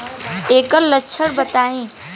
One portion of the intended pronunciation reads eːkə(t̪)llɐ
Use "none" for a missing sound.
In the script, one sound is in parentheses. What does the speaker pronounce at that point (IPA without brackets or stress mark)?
none